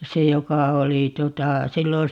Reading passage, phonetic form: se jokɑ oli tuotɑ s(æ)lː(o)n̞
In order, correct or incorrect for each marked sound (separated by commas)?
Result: incorrect, correct